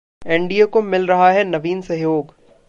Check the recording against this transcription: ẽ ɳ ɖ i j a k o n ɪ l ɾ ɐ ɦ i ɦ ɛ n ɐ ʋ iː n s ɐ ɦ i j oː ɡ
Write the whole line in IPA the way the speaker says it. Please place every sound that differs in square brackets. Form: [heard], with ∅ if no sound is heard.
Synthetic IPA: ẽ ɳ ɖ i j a k o [m] ɪ l ɾ ɐ ɦ [a] ɦ ɛ n ɐ ʋ iː n s ɐ ɦ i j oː ɡ